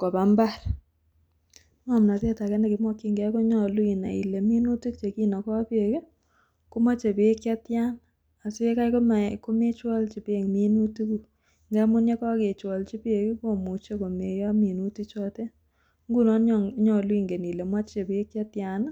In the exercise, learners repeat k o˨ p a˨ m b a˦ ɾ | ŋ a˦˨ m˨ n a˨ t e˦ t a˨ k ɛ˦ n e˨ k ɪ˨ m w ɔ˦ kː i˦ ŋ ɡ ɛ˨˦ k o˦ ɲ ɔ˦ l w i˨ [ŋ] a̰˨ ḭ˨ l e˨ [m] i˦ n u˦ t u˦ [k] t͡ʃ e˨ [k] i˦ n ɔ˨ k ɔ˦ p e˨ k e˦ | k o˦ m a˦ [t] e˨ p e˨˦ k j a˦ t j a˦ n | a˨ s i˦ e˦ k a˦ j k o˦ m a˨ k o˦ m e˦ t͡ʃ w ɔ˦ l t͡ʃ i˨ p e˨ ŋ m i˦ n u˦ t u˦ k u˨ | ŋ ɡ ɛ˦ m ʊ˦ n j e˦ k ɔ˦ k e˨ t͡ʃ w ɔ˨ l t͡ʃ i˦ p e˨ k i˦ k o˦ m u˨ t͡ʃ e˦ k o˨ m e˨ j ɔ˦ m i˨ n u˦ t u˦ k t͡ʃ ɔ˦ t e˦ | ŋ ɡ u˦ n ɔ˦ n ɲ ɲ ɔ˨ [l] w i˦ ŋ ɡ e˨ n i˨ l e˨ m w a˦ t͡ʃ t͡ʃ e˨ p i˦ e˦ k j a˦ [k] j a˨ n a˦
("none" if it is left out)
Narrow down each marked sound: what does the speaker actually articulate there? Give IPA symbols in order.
n, m, k, k, t͡ʃ, l, t

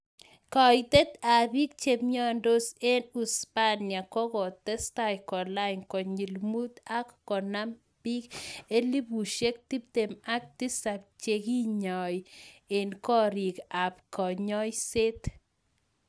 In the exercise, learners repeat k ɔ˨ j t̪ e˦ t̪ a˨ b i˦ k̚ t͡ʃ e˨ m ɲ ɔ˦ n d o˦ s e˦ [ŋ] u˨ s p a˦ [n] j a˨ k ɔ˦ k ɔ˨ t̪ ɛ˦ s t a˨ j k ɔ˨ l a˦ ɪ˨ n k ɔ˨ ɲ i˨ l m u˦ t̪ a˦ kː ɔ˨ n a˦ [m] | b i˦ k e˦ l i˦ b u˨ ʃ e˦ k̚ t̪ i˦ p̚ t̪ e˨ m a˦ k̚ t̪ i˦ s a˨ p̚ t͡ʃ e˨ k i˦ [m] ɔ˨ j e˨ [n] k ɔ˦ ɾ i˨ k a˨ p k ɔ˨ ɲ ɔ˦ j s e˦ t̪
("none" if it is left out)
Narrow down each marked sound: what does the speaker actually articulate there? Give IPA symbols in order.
n, n, m, ɲ, n

